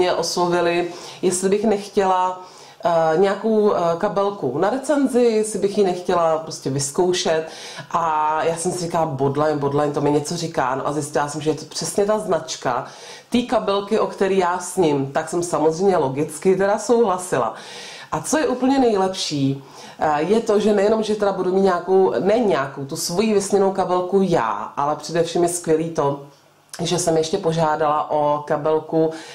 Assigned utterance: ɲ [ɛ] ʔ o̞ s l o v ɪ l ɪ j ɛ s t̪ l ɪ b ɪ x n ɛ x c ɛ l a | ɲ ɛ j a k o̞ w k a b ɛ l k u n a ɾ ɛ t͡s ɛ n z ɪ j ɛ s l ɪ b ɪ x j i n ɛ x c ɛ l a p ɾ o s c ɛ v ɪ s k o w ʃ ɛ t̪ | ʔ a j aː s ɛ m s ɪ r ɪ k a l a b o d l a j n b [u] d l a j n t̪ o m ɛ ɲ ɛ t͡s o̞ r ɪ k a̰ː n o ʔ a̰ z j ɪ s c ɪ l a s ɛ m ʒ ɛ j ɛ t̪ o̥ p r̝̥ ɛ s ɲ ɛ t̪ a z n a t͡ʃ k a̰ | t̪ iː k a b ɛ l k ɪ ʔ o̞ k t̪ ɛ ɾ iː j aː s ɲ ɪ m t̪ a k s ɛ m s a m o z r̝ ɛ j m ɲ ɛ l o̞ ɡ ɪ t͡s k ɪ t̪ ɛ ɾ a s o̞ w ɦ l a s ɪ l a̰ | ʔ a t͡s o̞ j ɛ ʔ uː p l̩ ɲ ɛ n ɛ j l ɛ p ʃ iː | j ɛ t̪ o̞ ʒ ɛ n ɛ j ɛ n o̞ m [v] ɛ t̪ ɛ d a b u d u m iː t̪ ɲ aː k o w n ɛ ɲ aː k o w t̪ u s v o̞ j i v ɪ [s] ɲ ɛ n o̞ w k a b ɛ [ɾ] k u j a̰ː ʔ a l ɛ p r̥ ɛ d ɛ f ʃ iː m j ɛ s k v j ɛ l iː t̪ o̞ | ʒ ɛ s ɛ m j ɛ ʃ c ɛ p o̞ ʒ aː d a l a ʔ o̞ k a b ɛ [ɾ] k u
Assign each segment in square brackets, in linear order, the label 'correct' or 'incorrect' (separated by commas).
correct, incorrect, incorrect, correct, incorrect, incorrect